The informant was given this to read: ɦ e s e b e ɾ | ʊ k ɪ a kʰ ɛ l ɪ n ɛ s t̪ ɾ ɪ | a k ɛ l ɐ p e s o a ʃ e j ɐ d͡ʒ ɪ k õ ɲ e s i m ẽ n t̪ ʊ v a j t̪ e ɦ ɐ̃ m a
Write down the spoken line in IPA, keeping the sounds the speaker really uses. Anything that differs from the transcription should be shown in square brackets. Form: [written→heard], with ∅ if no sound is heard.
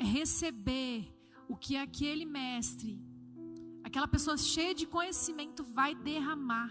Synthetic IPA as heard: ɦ e s e b e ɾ | ʊ k ɪ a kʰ [ɛ→e] l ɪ [n→m] ɛ s t̪ ɾ ɪ | a k ɛ l ɐ p e s o [a→ɐ] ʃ e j ɐ d͡ʒ ɪ k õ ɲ e s i m ẽ n t̪ ʊ v a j [t̪→d̪] e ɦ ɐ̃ m a